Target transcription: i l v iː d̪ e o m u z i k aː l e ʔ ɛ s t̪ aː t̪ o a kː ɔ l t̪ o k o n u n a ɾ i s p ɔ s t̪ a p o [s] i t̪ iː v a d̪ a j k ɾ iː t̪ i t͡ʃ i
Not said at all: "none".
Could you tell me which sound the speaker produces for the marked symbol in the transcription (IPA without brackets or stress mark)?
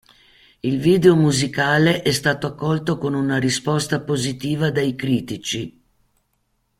z